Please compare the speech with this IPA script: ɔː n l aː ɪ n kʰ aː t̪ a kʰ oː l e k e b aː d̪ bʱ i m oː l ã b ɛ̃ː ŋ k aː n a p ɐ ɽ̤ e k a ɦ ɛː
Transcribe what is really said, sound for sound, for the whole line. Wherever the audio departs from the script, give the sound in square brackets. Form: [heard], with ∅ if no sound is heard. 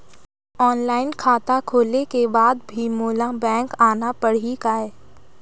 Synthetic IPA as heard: ɔː n l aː ɪ n kʰ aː t̪ a kʰ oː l e k e b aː d̪ bʱ i m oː l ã b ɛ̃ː ŋ k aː n a p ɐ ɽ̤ [i] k a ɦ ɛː